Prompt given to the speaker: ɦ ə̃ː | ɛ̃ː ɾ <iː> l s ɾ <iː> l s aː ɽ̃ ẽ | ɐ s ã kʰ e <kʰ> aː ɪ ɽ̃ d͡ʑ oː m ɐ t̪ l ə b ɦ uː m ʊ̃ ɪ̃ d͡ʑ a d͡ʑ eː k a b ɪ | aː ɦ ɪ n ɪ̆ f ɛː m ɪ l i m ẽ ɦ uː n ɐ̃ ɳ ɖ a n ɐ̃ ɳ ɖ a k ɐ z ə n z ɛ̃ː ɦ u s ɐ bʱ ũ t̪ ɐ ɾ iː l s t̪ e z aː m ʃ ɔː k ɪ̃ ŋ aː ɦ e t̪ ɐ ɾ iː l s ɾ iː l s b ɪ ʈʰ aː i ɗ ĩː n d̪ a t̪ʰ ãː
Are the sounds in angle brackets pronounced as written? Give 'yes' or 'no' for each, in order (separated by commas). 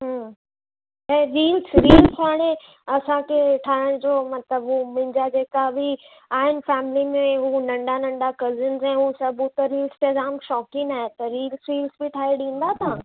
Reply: yes, yes, no